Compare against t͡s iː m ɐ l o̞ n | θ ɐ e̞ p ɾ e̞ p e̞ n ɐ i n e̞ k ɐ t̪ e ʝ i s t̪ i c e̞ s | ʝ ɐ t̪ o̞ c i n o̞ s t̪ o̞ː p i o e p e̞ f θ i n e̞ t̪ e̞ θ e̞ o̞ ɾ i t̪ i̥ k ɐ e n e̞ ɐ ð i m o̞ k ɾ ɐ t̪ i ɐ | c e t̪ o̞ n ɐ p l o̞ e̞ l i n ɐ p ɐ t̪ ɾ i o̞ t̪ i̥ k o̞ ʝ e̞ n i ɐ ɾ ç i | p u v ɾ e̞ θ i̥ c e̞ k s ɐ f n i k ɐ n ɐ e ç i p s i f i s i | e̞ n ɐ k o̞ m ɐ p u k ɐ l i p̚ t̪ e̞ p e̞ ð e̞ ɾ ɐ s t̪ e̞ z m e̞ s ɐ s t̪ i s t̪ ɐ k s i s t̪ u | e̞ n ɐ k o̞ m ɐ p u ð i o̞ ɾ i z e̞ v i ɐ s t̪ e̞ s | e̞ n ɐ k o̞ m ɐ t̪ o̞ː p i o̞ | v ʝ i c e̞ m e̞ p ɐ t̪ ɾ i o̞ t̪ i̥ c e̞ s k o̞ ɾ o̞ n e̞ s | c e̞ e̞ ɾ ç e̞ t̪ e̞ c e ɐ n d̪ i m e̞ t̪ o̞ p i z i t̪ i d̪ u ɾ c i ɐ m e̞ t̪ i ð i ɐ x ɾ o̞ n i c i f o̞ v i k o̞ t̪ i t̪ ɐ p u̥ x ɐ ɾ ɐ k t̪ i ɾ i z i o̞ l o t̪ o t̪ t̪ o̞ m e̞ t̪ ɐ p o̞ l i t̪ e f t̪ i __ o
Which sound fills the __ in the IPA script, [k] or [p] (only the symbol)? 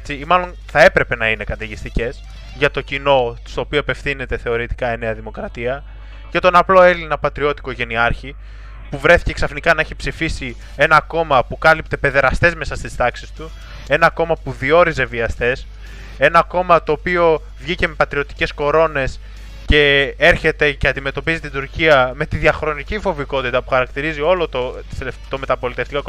k